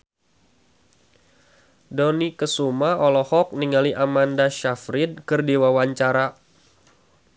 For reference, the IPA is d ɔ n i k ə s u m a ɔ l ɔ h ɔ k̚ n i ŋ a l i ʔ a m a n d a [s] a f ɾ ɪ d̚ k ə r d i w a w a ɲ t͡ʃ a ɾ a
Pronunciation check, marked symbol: incorrect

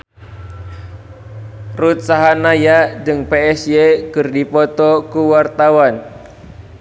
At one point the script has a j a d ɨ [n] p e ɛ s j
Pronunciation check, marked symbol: incorrect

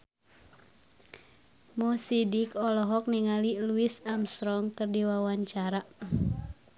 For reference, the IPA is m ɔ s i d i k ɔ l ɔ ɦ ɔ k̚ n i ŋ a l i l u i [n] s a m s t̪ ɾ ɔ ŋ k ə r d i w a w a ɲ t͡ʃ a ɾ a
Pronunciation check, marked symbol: incorrect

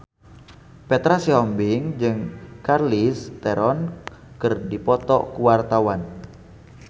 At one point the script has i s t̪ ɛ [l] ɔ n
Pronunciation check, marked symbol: incorrect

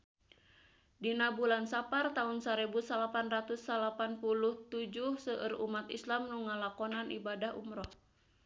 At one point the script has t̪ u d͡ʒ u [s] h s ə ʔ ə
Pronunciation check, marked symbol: incorrect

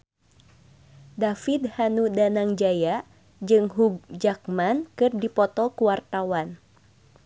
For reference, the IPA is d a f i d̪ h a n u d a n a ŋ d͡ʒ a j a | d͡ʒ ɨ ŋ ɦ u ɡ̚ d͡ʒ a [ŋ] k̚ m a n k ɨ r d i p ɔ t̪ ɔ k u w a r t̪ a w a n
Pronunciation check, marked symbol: incorrect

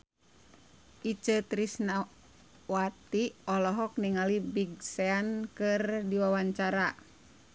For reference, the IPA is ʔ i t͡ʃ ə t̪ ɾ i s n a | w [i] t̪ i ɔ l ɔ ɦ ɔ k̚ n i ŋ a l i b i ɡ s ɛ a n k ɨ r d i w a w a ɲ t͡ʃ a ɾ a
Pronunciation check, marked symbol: incorrect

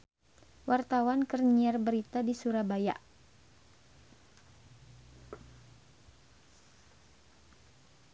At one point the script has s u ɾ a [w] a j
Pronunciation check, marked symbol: incorrect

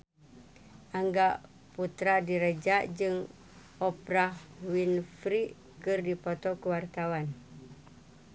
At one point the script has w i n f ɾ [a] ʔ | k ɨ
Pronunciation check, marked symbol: incorrect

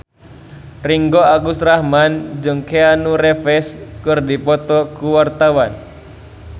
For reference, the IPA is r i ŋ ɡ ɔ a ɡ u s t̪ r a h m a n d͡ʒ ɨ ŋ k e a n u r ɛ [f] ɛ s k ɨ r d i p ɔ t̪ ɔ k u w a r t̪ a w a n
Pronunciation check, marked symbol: correct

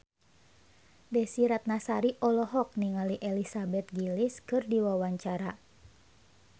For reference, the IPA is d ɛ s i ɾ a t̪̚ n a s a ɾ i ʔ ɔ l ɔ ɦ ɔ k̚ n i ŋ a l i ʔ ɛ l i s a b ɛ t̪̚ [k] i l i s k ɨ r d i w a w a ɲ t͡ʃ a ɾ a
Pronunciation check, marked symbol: incorrect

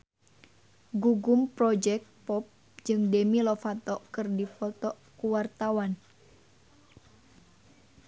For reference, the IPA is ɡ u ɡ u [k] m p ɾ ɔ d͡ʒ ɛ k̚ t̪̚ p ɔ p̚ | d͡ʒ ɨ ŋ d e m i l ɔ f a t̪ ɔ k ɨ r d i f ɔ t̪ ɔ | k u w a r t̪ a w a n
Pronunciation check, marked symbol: incorrect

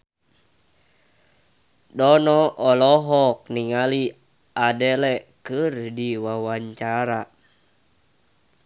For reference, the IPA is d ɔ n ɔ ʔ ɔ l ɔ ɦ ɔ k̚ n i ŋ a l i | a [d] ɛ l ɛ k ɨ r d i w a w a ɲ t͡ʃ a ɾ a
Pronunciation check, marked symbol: correct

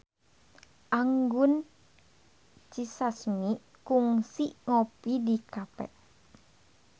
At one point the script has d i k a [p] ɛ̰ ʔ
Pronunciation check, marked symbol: correct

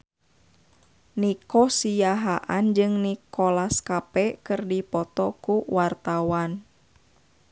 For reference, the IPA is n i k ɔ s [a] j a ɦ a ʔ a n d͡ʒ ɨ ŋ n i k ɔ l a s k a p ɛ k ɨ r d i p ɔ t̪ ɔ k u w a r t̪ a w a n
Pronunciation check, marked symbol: incorrect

